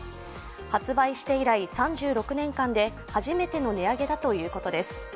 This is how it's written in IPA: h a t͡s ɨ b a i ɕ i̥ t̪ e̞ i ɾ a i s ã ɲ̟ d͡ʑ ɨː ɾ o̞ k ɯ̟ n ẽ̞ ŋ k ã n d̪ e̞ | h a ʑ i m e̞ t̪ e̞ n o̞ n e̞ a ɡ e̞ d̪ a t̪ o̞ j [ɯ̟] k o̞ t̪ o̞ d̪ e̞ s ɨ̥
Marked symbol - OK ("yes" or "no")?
no